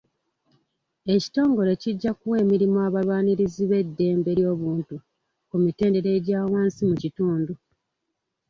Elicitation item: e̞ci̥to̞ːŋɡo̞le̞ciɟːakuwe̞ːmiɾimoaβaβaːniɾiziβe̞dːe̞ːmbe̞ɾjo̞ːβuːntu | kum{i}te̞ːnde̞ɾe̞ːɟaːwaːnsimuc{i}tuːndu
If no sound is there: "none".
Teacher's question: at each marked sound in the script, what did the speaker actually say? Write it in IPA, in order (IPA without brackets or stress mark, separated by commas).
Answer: i, i